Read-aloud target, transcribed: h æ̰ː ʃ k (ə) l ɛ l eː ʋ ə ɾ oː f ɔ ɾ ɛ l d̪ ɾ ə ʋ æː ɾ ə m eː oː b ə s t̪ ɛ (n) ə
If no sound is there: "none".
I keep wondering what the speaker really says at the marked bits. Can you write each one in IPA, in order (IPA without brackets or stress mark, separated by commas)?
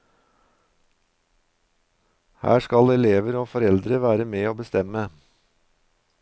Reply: ɑ, m